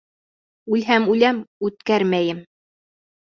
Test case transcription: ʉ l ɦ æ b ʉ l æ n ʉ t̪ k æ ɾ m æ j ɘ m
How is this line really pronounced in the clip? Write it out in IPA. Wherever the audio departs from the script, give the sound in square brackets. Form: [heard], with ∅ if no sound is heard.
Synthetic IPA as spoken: ʉ l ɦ æ [m] ʉ l æ [m] ʉ t̪ k æ ɾ m æ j ɘ m